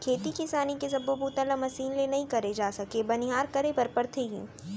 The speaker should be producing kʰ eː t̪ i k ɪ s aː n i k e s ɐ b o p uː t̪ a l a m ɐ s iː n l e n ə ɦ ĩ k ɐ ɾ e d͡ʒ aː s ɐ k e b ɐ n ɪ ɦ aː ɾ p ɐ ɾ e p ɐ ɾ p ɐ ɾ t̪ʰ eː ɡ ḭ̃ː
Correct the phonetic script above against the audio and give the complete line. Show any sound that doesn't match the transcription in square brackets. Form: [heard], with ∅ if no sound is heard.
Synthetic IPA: kʰ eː t̪ i k ɪ s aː n i k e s ɐ b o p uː t̪ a l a m ɐ s iː n l e n [ɐ] ɦ ĩ k ɐ ɾ e d͡ʒ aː s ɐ k e b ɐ n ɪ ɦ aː ɾ [k] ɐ ɾ e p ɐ ɾ p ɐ ɾ t̪ʰ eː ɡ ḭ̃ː

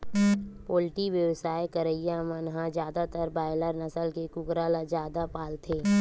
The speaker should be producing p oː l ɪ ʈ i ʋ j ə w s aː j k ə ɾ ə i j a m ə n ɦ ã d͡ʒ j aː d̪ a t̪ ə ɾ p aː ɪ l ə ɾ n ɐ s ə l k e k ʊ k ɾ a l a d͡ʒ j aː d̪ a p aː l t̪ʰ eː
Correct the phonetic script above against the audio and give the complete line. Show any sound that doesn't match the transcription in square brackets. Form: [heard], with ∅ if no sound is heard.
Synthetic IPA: p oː l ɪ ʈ i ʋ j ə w s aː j k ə ɾ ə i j a m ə n ɦ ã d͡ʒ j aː d̪ a t̪ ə ɾ [b] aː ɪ l ə ɾ n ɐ s ə l k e k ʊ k ɾ a l a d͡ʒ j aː d̪ a p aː l t̪ʰ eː

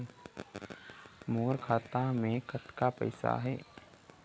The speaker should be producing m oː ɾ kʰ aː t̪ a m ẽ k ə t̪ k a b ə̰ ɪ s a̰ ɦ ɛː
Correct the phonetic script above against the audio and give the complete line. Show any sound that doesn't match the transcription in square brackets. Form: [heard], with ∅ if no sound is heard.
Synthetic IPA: m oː ɾ kʰ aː t̪ a m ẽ k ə t̪ k a [p] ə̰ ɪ s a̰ ɦ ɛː

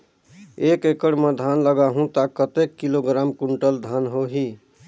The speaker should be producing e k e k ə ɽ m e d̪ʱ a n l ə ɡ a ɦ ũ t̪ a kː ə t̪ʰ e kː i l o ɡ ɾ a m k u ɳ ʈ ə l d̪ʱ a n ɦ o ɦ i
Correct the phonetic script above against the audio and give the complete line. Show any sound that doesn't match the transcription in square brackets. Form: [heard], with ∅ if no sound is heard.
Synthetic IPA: e k e k ə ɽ m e d̪ʱ a n l ə ɡ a ɦ ũ t̪ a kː ə [t̪] e kː i l o ɡ ɾ a m k u ɳ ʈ ə l d̪ʱ a n ɦ o ɦ i

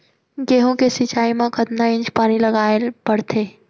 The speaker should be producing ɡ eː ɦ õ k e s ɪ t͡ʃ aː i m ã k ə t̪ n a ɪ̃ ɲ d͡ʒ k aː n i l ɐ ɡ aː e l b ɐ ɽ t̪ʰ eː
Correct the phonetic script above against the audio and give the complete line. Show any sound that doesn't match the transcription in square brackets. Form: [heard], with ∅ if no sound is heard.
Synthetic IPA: ɡ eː ɦ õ k e s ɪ t͡ʃ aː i m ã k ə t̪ n a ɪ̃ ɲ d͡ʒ [p] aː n i l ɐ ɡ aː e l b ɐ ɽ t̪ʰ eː

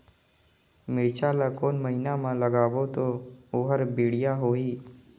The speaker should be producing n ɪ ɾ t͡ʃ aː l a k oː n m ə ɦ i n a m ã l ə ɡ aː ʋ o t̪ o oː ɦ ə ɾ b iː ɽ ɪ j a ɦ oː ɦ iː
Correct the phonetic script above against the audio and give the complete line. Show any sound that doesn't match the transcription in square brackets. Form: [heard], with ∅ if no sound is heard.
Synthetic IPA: [m] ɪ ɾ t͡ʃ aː l a k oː n m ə ɦ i n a m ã l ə ɡ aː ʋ o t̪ o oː ɦ ə ɾ b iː ɽ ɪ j a ɦ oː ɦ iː

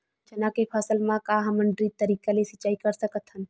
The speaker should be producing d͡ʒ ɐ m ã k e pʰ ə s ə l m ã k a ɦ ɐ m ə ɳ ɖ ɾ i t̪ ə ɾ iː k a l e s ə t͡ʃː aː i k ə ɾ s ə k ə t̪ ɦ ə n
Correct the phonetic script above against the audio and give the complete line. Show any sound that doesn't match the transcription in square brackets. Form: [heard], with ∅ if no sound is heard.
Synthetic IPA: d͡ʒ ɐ [n] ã k e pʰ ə s ə l m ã k a ɦ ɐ m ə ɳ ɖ ɾ i t̪ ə ɾ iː k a l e s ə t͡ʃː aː i k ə ɾ s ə k ə t̪ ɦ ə n

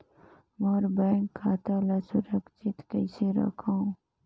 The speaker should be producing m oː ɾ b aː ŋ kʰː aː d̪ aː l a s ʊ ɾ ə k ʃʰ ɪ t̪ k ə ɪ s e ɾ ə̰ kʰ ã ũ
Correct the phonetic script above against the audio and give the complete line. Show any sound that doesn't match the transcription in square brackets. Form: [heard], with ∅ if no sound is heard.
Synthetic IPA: m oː ɾ b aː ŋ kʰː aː [t̪] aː l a s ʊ ɾ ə k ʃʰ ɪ t̪ k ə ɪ s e ɾ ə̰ kʰ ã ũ

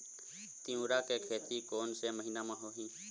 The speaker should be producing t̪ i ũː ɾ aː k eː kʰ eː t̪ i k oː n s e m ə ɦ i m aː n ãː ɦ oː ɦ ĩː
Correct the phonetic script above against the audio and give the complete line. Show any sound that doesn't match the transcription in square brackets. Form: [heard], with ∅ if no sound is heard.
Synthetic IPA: t̪ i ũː ɾ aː k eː kʰ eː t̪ i k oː n s e m ə ɦ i [n] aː [m] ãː ɦ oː ɦ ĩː

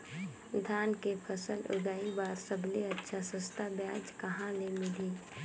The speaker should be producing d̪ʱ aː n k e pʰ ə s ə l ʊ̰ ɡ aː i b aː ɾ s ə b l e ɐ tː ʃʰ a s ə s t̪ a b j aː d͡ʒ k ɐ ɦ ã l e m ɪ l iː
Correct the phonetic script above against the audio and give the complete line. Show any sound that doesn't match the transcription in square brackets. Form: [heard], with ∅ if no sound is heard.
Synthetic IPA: d̪ʱ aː n k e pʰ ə s ə l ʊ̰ ɡ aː i b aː ɾ s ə b l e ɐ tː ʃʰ a s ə s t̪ a b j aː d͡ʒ k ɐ ɦ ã l e m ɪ l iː

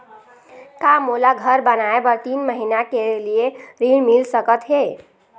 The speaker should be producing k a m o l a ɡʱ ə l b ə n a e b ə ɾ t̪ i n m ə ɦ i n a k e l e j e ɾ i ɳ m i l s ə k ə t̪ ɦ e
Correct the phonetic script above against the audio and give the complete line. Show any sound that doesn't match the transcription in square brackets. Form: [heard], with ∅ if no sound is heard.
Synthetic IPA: k a m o l a ɡʱ ə [ɾ] b ə n a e b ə ɾ t̪ i n m ə ɦ i n a k e l [i] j e ɾ i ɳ m i l s ə k ə t̪ ɦ e

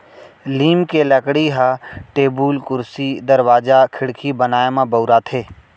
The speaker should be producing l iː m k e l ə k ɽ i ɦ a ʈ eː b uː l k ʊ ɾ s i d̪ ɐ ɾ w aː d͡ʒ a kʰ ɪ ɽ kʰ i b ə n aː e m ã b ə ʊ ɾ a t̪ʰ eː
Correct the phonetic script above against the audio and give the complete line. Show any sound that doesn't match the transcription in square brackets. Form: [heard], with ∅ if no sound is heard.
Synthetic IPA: l iː m k e l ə k ɽ i ɦ a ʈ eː b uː l k ʊ ɾ s i d̪ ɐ ɾ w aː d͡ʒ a kʰ ɪ ɽ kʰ i b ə n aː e m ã b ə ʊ ɾ a t̪ʰ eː

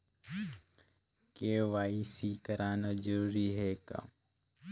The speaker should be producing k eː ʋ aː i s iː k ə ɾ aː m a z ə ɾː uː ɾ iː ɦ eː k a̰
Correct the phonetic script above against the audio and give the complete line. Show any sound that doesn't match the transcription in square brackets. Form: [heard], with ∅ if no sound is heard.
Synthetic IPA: k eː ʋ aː i s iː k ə ɾ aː [n] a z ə [ɾ] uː ɾ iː ɦ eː k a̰

